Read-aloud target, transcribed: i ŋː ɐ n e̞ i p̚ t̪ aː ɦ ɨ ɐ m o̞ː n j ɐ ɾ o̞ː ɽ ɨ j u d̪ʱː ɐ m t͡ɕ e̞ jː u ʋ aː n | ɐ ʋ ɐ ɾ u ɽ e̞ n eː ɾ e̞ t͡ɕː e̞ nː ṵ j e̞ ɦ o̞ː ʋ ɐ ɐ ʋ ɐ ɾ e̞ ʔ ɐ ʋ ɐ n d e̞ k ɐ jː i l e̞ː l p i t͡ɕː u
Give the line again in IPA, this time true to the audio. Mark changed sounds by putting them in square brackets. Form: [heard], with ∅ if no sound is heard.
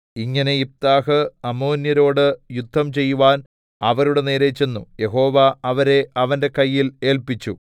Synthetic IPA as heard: i ŋː ɐ n e̞ i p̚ t̪ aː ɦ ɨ ɐ m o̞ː n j ɐ ɾ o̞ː ɽ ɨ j u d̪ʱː ɐ m t͡ɕ e̞ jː u ʋ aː n | ɐ ʋ ɐ ɾ u ɽ e̞ n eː ɾ e̞ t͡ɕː e̞ nː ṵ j e̞ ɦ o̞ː ʋ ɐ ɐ ʋ ɐ ɾ e̞ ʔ ɐ ʋ ɐ n d e̞ k ɐ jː i l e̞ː l p i t͡ɕː u

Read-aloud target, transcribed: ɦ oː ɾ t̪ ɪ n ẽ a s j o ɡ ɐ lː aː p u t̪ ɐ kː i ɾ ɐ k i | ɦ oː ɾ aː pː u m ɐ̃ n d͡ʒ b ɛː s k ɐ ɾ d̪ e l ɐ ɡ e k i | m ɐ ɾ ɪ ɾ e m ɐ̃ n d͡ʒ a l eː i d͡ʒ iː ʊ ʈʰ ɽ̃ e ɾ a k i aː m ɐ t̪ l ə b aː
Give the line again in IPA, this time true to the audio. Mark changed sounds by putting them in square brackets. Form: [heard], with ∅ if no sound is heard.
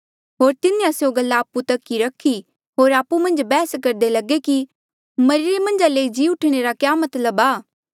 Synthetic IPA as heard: ɦ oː ɾ t̪ ɪ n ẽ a s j o ɡ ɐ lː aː p u t̪ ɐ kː i ɾ ɐ [kʰ] i | ɦ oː ɾ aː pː u m ɐ̃ n d͡ʒ b ɛː s k ɐ ɾ d̪ e l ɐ ɡ e k i | m ɐ ɾ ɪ ɾ e m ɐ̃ n d͡ʒ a l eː i d͡ʒ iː ʊ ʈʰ ɽ̃ e ɾ a k [j] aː m ɐ t̪ l ə b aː

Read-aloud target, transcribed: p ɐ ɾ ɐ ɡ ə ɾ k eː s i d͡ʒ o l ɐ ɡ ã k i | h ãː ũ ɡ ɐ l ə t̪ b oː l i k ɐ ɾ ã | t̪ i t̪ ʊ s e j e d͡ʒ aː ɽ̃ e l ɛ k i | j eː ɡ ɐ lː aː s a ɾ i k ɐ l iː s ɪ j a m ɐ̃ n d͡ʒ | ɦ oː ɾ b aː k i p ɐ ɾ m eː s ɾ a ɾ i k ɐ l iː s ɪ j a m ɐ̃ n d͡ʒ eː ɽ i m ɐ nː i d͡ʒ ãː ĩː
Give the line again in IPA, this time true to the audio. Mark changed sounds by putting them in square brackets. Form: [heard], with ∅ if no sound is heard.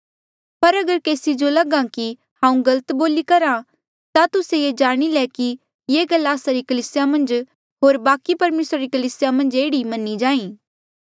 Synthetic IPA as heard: p ɐ ɾ ɐ ɡ ə ɾ k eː s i d͡ʒ o l ɐ ɡ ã k i | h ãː ũ ɡ ɐ l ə t̪ b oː l i k ɐ ɾ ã | t̪ [a] t̪ ʊ s e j e d͡ʒ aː ɽ̃ [i] l ɛ k i | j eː ɡ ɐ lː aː s a ɾ i k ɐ l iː s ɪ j a m ɐ̃ n d͡ʒ | ɦ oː ɾ b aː k i p ɐ ɾ m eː s ɾ a ɾ i k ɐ l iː s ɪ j a m ɐ̃ n d͡ʒ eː ɽ i m ɐ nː i d͡ʒ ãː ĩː

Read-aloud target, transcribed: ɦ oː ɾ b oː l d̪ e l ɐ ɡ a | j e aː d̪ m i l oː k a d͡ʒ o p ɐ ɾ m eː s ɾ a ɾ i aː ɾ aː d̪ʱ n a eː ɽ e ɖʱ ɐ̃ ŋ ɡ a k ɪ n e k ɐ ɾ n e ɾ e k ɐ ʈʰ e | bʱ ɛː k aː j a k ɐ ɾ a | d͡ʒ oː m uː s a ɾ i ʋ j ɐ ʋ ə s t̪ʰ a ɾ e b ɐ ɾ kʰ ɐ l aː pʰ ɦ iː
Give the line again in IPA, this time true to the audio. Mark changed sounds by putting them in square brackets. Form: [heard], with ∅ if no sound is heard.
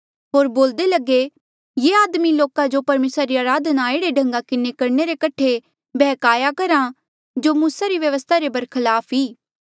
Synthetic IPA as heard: ɦ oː ɾ b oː l d̪ e l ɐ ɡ [e] | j e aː d̪ m i l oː k a d͡ʒ o p ɐ ɾ m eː s ɾ a ɾ i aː ɾ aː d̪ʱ n a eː ɽ e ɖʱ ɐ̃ ŋ ɡ a k ɪ n e k ɐ ɾ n e ɾ e k ɐ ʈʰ e | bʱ ɛː k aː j a k ɐ ɾ a | d͡ʒ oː m uː s a ɾ i ʋ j ɐ ʋ ə s t̪ʰ a ɾ e b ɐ ɾ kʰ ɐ l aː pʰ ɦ iː

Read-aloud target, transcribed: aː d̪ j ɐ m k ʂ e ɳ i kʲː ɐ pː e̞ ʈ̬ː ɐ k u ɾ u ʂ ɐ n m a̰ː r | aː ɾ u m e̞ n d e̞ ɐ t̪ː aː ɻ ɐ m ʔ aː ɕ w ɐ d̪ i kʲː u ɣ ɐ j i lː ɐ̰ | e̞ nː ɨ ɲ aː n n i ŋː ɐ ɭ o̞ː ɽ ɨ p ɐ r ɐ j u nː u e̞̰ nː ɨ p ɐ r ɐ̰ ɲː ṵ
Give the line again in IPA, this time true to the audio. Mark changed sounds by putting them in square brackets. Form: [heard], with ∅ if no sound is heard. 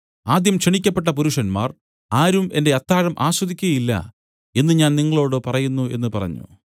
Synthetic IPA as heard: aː d̪ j ɐ m k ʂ e ɳ i kʲː ɐ pː e̞ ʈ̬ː ɐ [p] u ɾ u ʂ ɐ n m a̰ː r | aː ɾ u m e̞ n d e̞ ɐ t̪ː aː ɻ ɐ m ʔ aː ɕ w ɐ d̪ i kʲː u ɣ ɐ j i lː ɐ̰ | e̞ nː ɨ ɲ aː n n i ŋː ɐ ɭ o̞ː ɽ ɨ p ɐ r ɐ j u nː u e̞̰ nː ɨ p ɐ r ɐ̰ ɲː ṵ

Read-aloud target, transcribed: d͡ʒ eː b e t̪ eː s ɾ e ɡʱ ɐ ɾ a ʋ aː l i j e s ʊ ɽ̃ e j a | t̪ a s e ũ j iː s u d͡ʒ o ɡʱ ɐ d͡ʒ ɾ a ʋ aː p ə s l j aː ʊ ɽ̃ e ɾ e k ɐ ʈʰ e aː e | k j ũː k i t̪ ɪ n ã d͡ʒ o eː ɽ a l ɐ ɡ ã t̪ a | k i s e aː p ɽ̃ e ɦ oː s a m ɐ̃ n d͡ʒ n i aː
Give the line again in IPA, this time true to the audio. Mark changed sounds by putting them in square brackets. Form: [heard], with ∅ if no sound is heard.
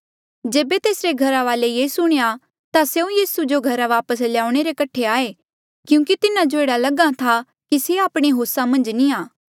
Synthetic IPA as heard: d͡ʒ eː b e t̪ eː s ɾ e ɡʱ ɐ ɾ a ʋ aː l [e] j e s ʊ ɽ̃ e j a | t̪ a s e ũ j iː s u d͡ʒ o ɡʱ ɐ [∅] ɾ a ʋ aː p ə s l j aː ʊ ɽ̃ e ɾ e k ɐ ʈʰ e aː e | k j ũː k i t̪ ɪ n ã d͡ʒ o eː ɽ a l ɐ ɡ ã [t̪ʰ] a | k i s e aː p ɽ̃ e ɦ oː s a m ɐ̃ n d͡ʒ n i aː

